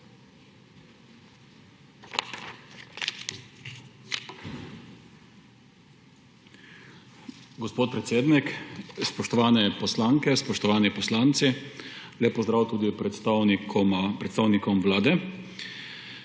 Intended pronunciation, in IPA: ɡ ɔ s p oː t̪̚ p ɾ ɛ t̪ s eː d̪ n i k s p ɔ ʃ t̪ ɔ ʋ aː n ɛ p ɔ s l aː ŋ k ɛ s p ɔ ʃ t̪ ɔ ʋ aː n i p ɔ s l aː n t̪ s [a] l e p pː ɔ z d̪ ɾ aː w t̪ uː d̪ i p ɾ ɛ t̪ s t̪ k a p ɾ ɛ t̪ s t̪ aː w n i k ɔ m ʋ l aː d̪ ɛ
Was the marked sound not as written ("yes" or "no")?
yes